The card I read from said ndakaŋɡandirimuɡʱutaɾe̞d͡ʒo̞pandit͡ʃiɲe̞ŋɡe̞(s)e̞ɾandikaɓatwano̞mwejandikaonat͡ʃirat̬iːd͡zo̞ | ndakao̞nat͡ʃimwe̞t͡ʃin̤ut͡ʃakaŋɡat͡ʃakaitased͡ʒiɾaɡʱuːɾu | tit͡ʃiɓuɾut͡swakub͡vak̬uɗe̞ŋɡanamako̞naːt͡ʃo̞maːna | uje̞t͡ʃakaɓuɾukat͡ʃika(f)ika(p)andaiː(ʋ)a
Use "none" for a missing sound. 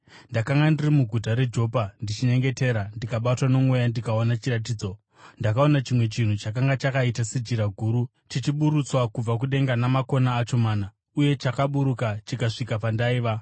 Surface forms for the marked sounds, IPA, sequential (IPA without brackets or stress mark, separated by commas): t, ʂ, p, ʋ